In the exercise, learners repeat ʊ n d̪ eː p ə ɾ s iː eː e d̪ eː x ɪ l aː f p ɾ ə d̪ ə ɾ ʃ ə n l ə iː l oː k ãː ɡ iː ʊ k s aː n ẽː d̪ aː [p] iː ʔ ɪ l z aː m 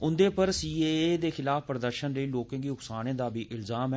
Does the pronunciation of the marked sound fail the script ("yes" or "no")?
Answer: yes